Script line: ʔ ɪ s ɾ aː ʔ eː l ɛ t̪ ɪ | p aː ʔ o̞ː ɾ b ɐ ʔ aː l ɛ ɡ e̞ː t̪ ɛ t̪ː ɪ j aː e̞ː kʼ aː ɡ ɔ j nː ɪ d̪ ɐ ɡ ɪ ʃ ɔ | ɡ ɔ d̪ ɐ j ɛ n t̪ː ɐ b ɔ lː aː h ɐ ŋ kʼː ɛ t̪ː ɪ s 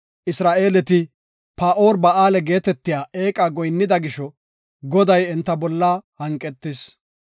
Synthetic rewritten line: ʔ ɪ s ɾ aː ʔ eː l ɛ t̪ ɪ | p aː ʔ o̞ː ɾ b ɐ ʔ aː l ɛ ɡ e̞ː t̪ ɛ t̪ː ɪ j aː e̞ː kʼ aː ɡ ɔ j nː ɪ d̪ ɐ ɡ ɪ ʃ ɔ | ɡ ɔ d̪ ɐ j ɛ n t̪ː ɐ b ɔ lː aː h ɐ ŋ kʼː ɛ t̪ː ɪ s